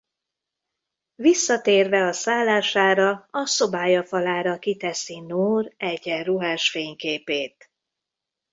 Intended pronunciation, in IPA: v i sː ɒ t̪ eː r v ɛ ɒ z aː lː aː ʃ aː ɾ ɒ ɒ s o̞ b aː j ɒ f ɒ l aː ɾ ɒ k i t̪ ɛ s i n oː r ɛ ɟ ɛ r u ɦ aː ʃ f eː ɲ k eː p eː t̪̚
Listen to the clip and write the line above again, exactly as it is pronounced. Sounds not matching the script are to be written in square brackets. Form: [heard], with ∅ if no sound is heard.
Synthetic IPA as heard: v i sː ɒ t̪ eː r v ɛ ɒ [s] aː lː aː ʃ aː ɾ ɒ ɒ s o̞ b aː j ɒ f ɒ l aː ɾ ɒ k i t̪ ɛ s i n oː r ɛ ɟ ɛ r u ɦ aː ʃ f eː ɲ k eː p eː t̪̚